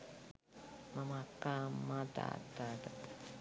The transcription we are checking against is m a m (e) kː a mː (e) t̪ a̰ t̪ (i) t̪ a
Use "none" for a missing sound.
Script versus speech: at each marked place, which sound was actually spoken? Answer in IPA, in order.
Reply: a, a, a

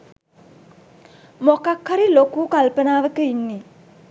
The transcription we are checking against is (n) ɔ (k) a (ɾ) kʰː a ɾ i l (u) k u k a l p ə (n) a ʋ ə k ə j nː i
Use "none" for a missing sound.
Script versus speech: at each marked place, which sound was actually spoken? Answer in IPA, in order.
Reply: m, k, none, o, n

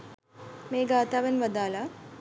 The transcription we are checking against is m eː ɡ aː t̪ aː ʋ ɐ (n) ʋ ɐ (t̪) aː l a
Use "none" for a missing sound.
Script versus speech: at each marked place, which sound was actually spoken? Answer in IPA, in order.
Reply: n, d̪

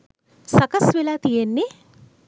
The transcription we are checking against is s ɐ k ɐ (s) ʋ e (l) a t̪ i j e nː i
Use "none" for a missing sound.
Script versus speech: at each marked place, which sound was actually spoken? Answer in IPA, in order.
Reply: s, l

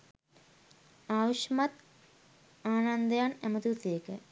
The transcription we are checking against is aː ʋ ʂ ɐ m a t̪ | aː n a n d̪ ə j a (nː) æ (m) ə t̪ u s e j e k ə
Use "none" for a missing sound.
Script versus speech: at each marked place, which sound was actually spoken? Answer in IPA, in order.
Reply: n, m

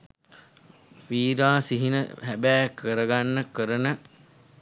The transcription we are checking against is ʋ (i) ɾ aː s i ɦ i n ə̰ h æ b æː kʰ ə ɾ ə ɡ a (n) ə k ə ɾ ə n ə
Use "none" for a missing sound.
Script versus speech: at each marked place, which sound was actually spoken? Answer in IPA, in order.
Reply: iː, nː

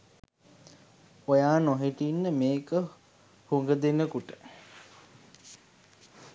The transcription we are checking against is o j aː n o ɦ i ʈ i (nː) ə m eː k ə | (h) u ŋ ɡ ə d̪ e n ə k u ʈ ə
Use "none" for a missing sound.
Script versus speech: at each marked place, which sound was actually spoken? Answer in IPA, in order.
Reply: nː, h

